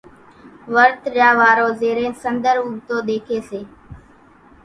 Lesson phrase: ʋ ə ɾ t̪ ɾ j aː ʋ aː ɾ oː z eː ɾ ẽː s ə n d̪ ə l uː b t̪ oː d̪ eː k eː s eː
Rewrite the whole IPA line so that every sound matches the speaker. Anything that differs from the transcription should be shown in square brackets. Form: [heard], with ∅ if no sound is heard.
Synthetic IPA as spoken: ʋ ə ɾ t̪ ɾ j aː ʋ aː ɾ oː z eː ɾ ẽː s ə n d̪ ə [ɾ] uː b t̪ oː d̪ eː [kʰ] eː s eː